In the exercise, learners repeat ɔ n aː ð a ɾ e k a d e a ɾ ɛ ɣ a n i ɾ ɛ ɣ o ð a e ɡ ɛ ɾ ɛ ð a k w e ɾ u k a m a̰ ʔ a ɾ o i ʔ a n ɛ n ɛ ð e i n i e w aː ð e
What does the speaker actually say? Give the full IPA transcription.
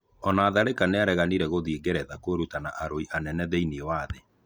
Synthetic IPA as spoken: ɔ n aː ð a ɾ e k a n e a ɾ ɛ ɣ a n i ɾ ɛ ɣ o ð i e ɡ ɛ ɾ ɛ ð a k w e ɾ u t a n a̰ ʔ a ɾ o i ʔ a n ɛ n ɛ ð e i n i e w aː ð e